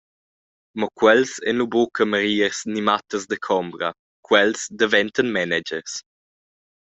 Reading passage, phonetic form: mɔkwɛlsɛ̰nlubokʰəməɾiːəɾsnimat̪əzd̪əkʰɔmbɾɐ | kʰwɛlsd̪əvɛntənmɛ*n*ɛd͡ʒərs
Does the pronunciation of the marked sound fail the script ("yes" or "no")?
no